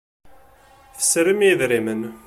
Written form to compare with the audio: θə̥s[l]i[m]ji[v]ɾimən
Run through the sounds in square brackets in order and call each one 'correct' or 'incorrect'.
incorrect, correct, incorrect

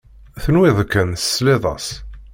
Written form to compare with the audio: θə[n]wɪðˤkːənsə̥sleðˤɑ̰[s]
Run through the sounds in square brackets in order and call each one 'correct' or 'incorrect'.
correct, correct

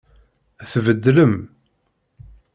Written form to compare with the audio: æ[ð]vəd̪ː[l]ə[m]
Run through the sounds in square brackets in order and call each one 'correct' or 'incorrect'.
incorrect, correct, correct

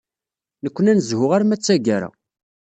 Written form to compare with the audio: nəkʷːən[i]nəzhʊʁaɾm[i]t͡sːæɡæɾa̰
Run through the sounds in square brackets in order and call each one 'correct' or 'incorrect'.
incorrect, incorrect

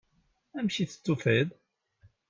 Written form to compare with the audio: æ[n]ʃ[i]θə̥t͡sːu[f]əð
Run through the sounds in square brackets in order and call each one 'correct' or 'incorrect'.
incorrect, correct, correct

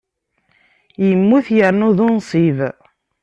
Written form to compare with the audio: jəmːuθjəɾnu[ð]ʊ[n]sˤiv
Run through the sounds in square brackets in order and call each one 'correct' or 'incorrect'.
correct, correct

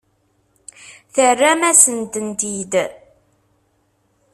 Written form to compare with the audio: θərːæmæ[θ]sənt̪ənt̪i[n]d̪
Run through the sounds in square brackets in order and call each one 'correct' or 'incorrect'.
incorrect, incorrect

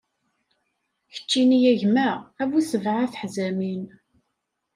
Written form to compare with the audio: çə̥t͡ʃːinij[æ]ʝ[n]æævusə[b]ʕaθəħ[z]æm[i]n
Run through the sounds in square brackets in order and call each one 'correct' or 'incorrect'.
correct, incorrect, incorrect, correct, correct

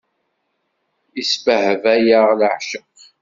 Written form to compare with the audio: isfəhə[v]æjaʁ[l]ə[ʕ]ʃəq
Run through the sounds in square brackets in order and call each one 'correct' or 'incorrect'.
correct, correct, correct

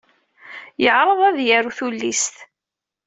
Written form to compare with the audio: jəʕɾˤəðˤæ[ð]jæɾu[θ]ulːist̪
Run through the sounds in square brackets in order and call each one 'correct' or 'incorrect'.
correct, correct

